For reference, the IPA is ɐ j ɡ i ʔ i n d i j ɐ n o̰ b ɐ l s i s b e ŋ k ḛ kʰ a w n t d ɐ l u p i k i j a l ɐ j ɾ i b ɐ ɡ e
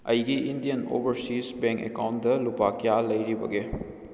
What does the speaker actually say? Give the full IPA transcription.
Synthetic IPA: ɐ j ɡ i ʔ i n d i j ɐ n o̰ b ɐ ɾ s i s b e ŋ k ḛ k a w n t d ɐ l u p a k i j a l ɐ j ɾ i b ɐ ɡ e